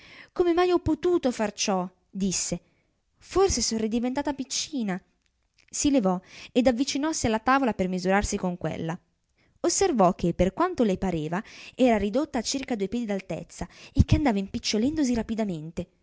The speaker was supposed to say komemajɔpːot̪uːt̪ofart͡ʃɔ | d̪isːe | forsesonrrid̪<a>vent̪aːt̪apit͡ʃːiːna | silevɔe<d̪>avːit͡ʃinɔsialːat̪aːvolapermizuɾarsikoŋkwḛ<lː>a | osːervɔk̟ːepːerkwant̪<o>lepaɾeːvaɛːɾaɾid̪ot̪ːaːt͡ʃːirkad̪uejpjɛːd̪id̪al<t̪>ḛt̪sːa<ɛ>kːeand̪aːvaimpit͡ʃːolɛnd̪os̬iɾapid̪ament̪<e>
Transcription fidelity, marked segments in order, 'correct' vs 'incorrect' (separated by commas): incorrect, correct, correct, correct, correct, incorrect, correct